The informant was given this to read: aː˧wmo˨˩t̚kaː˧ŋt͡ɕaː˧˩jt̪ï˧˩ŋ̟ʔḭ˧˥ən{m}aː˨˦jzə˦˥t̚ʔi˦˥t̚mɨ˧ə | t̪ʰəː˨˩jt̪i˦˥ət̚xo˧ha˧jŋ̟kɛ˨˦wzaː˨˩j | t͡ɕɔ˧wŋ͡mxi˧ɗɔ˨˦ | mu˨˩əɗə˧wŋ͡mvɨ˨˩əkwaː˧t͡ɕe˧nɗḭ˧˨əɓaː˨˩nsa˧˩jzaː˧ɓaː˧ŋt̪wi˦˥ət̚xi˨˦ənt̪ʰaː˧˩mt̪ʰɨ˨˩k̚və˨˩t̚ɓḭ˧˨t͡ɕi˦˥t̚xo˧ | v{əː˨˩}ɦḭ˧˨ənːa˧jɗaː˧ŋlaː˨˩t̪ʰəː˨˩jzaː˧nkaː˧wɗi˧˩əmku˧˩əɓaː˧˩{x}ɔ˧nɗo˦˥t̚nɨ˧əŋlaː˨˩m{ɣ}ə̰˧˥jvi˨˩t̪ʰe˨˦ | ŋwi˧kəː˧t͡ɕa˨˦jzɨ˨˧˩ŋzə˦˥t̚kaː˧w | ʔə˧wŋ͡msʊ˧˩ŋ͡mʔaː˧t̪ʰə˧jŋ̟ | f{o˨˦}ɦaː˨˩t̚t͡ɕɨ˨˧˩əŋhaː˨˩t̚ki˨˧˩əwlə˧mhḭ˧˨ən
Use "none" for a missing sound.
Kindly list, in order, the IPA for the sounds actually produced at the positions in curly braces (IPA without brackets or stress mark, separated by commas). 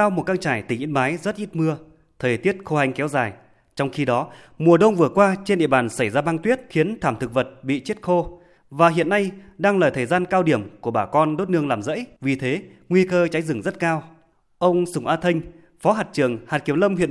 m, aː˨˩, k, z, ɔ˨˦